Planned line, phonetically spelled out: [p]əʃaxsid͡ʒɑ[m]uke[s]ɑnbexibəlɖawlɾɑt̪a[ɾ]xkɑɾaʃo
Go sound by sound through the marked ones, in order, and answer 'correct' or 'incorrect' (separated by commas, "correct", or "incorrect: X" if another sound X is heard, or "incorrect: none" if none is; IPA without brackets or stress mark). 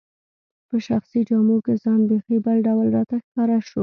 correct, correct, incorrect: z, incorrect: none